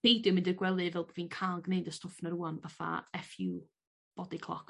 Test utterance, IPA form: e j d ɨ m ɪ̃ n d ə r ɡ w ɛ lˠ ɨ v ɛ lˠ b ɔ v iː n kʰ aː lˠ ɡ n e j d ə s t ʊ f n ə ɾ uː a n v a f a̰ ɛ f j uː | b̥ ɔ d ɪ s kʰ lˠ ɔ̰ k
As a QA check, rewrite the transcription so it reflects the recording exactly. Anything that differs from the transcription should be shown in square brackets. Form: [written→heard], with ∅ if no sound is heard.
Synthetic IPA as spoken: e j d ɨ m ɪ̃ n d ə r ɡ w ɛ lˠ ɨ v ɛ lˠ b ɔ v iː n kʰ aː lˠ ɡ n e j d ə s t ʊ f n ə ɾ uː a n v a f a̰ ɛ f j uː | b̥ ɔ d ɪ [s→∅] kʰ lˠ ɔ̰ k